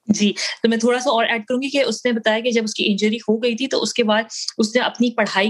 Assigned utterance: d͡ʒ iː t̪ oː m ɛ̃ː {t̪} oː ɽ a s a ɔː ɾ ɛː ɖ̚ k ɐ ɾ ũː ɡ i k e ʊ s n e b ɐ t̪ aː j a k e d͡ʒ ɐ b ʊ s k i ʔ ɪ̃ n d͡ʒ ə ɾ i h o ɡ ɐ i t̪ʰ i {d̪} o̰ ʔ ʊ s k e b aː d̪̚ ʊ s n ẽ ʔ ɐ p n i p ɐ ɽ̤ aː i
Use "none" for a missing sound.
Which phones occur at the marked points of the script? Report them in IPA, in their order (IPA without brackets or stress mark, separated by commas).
t̪ʰ, t̪